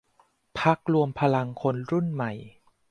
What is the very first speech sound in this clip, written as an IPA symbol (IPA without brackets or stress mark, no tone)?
pʰ